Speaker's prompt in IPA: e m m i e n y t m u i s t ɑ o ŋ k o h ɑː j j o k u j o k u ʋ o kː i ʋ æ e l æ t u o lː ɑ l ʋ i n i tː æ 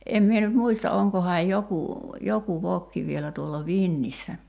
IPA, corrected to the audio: e m m i e n y t m u i s t ɑ o ŋ k o h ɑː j j o k u j o k u ʋ o kː i ʋ i e l æ t u o lː ɑ ʋ i nː i sː æ